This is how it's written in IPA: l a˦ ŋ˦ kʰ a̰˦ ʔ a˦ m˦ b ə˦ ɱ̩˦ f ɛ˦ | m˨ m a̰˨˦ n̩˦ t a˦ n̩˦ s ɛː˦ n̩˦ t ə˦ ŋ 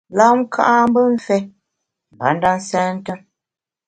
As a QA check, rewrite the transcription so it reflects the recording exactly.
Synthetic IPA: l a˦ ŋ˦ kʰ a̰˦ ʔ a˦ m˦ b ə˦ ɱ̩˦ f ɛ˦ | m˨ b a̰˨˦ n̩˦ d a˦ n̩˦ s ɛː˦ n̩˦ t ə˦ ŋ